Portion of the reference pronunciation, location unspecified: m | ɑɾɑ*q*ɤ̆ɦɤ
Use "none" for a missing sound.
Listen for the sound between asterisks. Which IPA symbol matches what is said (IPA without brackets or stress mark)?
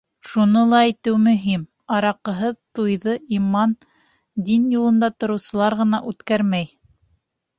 q